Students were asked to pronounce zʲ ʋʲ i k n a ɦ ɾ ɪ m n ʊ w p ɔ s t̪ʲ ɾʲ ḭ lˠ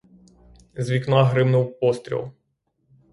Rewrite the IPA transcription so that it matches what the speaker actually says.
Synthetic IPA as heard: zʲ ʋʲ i k n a ɦ ɾ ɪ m n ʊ w p ɔ s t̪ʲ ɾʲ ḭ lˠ